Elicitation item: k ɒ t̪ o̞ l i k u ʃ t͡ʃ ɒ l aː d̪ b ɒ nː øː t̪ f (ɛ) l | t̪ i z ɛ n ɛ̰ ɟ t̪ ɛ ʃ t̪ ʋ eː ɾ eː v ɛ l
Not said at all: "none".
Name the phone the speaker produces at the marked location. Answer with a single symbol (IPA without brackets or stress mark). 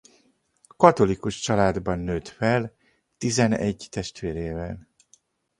ɛ